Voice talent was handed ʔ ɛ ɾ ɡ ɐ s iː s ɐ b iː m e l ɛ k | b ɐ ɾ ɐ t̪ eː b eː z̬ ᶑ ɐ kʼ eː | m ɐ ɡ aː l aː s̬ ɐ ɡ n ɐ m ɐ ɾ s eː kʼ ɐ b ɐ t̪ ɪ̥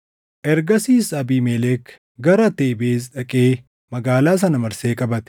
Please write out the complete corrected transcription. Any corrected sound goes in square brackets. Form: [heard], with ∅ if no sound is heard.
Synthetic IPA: ʔ ɛ ɾ ɡ ɐ s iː s ɐ b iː m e l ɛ k | [ɡ] ɐ ɾ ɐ t̪ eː b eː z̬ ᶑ ɐ kʼ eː | m ɐ ɡ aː l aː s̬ ɐ [∅] n ɐ m ɐ ɾ s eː kʼ ɐ b ɐ t̪ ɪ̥